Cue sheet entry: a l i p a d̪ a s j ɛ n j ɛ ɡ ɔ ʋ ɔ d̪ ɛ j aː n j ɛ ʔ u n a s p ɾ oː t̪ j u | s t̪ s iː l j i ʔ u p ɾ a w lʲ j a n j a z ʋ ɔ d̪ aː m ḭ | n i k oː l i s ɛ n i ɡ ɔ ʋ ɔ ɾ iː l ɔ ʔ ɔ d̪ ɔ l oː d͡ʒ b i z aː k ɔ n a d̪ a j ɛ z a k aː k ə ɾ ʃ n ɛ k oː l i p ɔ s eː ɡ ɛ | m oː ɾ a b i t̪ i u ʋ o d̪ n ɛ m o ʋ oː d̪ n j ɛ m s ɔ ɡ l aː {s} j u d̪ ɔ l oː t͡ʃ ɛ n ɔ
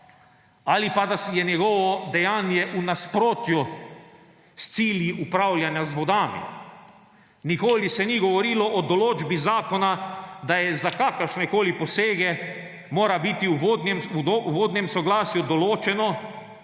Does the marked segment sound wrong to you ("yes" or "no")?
no